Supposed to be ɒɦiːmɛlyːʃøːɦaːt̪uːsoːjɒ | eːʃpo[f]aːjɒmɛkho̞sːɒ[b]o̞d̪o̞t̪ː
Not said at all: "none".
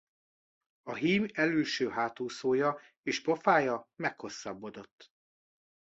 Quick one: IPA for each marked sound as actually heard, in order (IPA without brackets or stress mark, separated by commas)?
f, bː